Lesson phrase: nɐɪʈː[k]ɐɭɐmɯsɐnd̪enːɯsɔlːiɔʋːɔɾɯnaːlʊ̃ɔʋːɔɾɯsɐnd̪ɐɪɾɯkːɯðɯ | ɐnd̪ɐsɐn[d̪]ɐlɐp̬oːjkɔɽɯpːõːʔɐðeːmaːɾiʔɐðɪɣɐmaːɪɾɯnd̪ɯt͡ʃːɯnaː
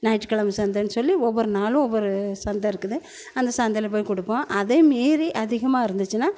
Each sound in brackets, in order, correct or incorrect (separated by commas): correct, correct